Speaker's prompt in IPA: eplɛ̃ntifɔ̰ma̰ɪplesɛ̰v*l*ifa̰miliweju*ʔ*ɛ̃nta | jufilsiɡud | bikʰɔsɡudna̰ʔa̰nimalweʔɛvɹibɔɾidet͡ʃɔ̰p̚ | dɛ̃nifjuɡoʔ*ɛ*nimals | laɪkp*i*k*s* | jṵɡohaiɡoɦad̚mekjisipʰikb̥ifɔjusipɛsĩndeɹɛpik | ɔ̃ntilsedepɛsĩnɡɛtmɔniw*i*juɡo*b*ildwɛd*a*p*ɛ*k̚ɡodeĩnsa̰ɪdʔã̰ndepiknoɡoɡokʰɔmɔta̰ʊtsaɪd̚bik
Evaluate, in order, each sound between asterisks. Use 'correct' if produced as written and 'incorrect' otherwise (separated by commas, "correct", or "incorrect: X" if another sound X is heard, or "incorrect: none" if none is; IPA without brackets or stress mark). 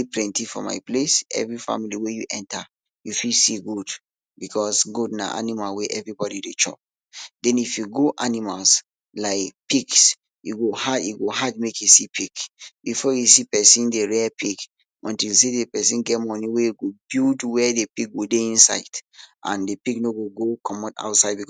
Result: incorrect: ɹ, correct, incorrect: a, correct, correct, incorrect: e, correct, incorrect: e, incorrect: i